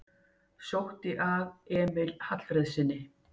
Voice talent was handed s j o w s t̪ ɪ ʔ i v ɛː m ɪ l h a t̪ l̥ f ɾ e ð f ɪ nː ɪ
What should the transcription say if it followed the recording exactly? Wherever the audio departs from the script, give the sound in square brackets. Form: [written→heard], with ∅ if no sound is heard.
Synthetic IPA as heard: s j o w [s→h] t̪ ɪ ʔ [i→a] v ɛː m ɪ l h a t̪ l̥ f ɾ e ð [f→s] ɪ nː ɪ